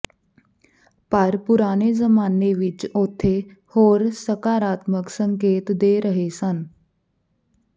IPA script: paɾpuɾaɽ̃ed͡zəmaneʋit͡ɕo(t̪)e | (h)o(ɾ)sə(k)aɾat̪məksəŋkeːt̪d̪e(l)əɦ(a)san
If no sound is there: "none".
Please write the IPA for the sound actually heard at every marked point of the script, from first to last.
t̪ʰ, h, ɾ, k, ɾ, e

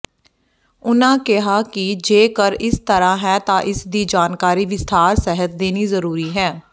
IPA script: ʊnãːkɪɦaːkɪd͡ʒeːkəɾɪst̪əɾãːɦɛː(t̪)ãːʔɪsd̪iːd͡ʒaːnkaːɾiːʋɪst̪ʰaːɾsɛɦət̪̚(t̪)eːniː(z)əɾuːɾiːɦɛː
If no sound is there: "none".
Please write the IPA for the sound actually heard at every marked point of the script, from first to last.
t̪, d̪, z

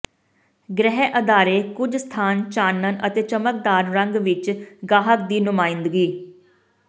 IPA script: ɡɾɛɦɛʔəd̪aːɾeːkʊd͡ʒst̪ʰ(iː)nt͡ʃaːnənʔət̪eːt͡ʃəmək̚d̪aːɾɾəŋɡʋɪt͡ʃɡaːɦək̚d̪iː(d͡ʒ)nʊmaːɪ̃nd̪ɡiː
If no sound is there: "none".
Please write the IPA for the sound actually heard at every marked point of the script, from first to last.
aː, none

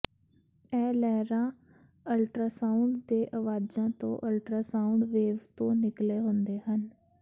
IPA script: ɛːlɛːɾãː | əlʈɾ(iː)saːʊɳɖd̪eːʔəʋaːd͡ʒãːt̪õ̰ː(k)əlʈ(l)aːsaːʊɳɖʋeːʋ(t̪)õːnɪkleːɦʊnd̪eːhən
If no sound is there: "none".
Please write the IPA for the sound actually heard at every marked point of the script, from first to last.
aː, ʔ, ɾ, t̪

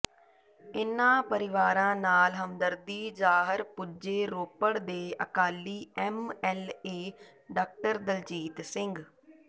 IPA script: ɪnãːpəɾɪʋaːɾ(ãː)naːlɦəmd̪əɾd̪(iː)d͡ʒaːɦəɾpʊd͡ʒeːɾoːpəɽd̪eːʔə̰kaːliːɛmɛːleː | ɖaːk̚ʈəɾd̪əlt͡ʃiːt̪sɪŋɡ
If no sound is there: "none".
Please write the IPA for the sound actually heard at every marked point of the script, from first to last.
ãː, iː

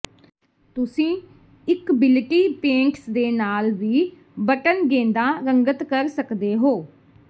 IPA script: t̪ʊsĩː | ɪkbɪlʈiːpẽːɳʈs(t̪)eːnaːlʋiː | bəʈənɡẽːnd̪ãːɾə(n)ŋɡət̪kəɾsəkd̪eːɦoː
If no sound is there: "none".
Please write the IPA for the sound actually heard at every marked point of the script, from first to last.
d̪, none

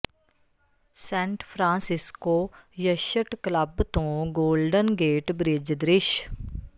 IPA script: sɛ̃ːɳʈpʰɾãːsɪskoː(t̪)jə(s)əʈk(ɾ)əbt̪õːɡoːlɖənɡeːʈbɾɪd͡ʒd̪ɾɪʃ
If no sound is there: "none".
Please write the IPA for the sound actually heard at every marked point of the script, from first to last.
none, ʃ, l

